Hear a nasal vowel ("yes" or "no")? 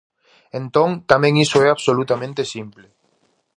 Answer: yes